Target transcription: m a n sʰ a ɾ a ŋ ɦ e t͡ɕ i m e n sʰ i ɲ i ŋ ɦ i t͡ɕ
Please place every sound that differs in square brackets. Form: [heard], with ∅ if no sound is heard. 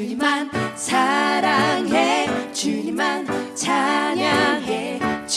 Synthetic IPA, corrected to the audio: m a n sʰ a ɾ a ŋ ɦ e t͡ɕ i m [a] n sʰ [a] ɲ [a] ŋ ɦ [e] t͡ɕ

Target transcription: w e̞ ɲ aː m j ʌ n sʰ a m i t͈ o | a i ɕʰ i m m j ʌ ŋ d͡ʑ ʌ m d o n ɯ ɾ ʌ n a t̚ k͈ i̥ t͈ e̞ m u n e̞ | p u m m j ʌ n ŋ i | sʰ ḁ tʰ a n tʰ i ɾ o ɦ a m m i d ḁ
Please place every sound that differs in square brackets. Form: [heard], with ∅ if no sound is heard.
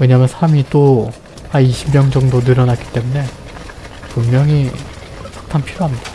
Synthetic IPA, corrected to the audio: w e̞ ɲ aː m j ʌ n sʰ a m i t͈ o | a i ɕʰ i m m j ʌ ŋ d͡ʑ ʌ [ŋ] d o n ɯ ɾ ʌ n a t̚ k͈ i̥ t͈ e̞ m u n e̞ | p u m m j ʌ [∅] ŋ i | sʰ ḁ tʰ a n [pʰ] i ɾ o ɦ a m [ɲ] i d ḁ

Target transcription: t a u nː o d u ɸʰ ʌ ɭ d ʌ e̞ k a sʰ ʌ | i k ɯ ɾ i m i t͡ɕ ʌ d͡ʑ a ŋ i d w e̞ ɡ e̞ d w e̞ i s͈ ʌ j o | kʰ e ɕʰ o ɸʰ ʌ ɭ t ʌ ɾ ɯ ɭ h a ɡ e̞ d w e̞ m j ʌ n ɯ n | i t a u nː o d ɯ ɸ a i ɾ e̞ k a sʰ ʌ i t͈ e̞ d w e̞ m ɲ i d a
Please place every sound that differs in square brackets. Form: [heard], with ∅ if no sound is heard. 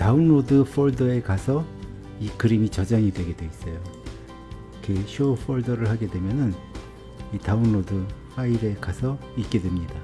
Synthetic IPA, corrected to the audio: t a u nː o d [ɯ] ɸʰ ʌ ɭ d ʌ e̞ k a sʰ ʌ | i k ɯ ɾ i m i t͡ɕ ʌ d͡ʑ a ŋ i d w e̞ ɡ e̞ d w e̞ i s͈ ʌ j o | kʰ e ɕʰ o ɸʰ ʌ ɭ [d] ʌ ɾ ɯ ɭ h a ɡ e̞ d w e̞ m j ʌ n ɯ n | i t a u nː o d ɯ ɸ a i ɾ e̞ k a sʰ ʌ i [k͈] e̞ d w e̞ m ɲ i d a

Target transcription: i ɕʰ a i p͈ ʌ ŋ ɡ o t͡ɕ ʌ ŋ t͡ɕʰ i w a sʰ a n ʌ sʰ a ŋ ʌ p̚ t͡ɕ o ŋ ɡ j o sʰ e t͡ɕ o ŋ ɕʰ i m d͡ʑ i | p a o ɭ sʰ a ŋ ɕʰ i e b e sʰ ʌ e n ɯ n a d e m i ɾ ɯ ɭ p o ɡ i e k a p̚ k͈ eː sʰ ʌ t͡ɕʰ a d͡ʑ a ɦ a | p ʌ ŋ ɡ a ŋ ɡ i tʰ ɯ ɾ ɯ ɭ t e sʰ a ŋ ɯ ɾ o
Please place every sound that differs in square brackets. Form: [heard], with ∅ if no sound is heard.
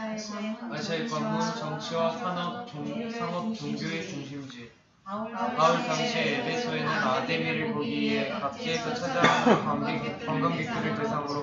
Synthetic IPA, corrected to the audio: [a] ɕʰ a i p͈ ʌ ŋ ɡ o t͡ɕ ʌ ŋ t͡ɕʰ i w a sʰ a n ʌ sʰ a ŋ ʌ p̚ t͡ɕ o ŋ ɡ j o [∅] e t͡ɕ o ŋ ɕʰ i m d͡ʑ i | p a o ɭ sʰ a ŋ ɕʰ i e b e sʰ ʌ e n ɯ n a d e m i ɾ ɯ ɭ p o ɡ i e k a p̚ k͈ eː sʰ ʌ t͡ɕʰ a d͡ʑ a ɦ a | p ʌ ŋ ɡ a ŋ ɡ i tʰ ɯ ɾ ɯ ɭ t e sʰ a ŋ ɯ ɾ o

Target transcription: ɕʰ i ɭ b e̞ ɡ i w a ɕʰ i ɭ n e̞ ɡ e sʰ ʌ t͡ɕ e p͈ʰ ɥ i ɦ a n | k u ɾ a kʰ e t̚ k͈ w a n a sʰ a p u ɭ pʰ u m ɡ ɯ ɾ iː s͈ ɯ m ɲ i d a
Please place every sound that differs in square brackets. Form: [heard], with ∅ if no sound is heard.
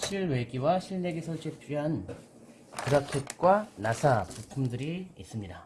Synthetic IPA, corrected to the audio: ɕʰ i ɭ [w] e̞ ɡ i w a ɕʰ i ɭ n e̞ ɡ e sʰ ʌ t͡ɕ e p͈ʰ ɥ i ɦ a n | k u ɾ a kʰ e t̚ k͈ w a n a sʰ a p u [∅] pʰ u m [d] ɯ ɾ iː s͈ ɯ m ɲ i d a

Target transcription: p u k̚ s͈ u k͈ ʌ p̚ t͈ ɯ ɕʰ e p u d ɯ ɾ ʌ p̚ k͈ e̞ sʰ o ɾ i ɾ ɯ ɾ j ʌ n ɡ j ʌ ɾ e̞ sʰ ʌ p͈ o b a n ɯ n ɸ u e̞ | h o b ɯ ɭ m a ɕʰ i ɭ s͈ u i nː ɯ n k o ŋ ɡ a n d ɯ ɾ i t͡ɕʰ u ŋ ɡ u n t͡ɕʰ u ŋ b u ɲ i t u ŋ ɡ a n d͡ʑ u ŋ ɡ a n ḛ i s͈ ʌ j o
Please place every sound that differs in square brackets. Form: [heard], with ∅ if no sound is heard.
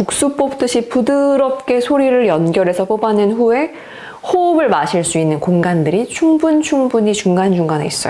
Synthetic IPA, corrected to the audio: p u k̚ s͈ u [p͈] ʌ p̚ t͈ ɯ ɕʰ [i] p u d ɯ ɾ ʌ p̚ k͈ e̞ sʰ o ɾ i ɾ ɯ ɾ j ʌ n ɡ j ʌ ɾ e̞ sʰ ʌ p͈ o b a n ɯ n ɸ u e̞ | h o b ɯ ɭ m a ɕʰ i ɭ s͈ u i nː ɯ n k o ŋ ɡ a n d ɯ ɾ i t͡ɕʰ u ŋ [b] u n t͡ɕʰ u ŋ b u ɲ i [t͡ɕ] u ŋ ɡ a n d͡ʑ u ŋ ɡ a n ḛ i s͈ ʌ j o

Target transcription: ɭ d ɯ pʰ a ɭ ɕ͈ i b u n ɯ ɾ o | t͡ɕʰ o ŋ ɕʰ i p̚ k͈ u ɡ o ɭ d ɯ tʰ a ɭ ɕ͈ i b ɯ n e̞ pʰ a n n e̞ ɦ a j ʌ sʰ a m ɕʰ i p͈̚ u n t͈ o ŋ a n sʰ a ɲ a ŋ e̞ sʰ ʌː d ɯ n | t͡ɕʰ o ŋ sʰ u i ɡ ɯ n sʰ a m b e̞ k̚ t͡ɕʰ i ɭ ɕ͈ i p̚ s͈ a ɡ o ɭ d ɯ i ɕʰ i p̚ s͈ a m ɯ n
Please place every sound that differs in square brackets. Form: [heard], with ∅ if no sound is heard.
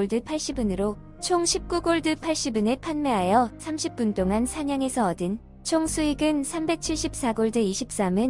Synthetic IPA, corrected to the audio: ɭ d ɯ pʰ a ɭ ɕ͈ i b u n ɯ ɾ o | t͡ɕʰ o ŋ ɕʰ i p̚ k͈ u ɡ o ɭ d ɯ [pʰ] a ɭ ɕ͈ i b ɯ n e̞ pʰ a n [m] e̞ ɦ a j ʌ sʰ a m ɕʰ i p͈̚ u n t͈ o ŋ a n sʰ a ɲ a ŋ e̞ sʰ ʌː d ɯ n | t͡ɕʰ o ŋ sʰ u i ɡ ɯ n sʰ a m b e̞ k̚ t͡ɕʰ i ɭ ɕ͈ i p̚ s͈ a ɡ o ɭ d ɯ i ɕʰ i p̚ s͈ a m ɯ n

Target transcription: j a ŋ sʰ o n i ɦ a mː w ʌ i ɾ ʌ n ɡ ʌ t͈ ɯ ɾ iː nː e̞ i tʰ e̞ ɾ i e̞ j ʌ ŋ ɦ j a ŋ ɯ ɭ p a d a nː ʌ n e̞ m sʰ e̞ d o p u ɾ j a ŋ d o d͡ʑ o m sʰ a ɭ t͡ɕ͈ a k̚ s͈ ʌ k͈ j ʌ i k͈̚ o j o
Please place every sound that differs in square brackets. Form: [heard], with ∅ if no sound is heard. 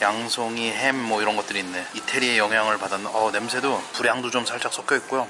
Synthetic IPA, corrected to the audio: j a ŋ sʰ o [ŋ] i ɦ [e] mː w ʌ i ɾ ʌ n ɡ ʌ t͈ ɯ ɾ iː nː e̞ i tʰ e̞ ɾ i e̞ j ʌ ŋ ɦ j a ŋ ɯ ɭ p a d a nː ʌ n e̞ m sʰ e̞ d o p u ɾ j a ŋ d o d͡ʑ o m sʰ a ɭ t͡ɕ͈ a k̚ s͈ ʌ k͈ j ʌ i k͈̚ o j o

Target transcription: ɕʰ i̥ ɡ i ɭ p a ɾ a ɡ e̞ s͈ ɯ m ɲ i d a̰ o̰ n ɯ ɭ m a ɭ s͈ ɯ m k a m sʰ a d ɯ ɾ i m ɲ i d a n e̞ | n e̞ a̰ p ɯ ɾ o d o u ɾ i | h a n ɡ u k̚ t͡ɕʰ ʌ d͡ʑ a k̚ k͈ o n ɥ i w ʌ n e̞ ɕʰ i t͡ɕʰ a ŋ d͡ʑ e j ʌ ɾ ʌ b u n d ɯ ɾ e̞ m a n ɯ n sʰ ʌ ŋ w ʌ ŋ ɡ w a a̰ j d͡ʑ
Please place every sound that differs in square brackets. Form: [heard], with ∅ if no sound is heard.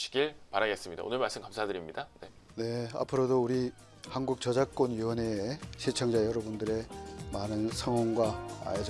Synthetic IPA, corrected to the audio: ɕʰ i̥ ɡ i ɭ p a ɾ a ɡ e̞ s͈ ɯ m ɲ i d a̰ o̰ n ɯ ɭ m a ɭ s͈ ɯ m k a m sʰ a d ɯ ɾ i m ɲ i d a n e̞ | n e̞ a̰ [pʰ] ɯ ɾ o d o u ɾ i | h a n ɡ u k̚ [t͡ɕ] ʌ d͡ʑ a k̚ k͈ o n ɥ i w ʌ n e̞ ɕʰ i t͡ɕʰ [ʌ] ŋ d͡ʑ [a] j ʌ ɾ ʌ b u n d ɯ ɾ e̞ m a n ɯ n sʰ ʌ ŋ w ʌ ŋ ɡ w a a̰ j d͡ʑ

